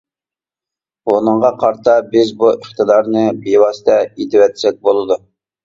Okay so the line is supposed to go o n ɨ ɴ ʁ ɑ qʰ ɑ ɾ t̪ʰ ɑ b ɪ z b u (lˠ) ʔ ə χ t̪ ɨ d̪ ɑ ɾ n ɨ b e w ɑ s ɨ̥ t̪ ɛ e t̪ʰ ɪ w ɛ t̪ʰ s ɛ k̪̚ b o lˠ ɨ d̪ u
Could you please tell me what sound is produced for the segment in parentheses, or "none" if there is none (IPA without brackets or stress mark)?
none